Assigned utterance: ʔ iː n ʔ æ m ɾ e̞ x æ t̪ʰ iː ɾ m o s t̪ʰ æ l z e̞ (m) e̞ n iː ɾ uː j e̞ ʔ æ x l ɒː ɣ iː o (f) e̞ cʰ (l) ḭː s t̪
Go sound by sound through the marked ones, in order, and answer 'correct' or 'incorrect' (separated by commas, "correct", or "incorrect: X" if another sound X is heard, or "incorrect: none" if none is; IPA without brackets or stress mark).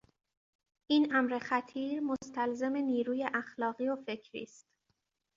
correct, correct, incorrect: ɾ